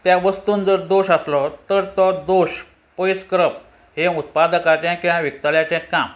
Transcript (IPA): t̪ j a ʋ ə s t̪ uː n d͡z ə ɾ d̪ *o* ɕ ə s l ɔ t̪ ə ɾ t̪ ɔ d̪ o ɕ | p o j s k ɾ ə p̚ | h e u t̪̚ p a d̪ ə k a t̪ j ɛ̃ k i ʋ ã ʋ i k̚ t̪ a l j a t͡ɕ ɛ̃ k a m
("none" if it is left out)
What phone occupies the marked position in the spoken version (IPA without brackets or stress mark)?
o